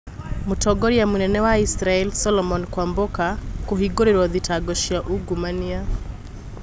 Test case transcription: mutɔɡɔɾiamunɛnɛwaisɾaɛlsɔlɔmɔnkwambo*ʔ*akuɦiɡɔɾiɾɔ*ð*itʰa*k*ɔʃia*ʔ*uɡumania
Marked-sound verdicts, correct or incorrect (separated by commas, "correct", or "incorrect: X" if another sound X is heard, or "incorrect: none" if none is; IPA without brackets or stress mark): incorrect: k, correct, incorrect: ɡ, correct